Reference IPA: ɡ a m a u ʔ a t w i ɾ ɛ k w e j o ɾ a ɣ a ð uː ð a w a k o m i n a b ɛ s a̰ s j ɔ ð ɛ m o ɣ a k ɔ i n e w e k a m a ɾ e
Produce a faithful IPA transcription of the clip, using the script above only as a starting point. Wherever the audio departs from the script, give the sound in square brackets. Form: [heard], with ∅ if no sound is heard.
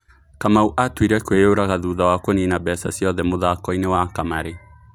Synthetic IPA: [k] a m a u ʔ a t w i ɾ ɛ k w e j o ɾ a ɣ a ð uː ð a w a k o [n] i n a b ɛ s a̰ s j ɔ ð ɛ m o [ð] a k ɔ i n e w [a] k a m a ɾ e